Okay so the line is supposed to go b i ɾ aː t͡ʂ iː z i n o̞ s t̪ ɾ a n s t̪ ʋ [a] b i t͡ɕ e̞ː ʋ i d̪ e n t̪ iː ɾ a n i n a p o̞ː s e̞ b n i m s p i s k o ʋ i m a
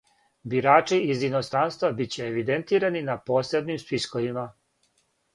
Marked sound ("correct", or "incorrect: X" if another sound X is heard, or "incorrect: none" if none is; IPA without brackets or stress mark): correct